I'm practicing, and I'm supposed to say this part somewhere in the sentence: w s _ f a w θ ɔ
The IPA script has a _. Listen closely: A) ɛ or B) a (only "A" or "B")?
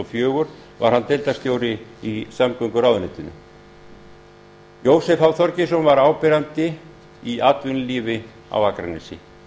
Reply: A